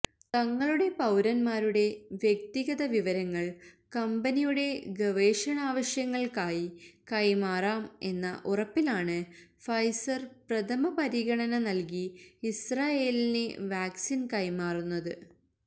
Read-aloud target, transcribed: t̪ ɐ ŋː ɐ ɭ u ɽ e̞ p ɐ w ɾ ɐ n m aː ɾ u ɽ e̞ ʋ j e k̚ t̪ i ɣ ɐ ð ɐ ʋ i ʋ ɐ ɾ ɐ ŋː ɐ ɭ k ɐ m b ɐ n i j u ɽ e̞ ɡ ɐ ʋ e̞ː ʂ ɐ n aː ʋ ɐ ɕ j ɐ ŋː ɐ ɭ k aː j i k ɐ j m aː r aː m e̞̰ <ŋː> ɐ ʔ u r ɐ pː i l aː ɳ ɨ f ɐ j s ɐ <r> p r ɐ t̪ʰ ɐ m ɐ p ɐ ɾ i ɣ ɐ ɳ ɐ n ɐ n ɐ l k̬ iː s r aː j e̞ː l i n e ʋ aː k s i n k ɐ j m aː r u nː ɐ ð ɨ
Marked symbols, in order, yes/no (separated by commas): no, yes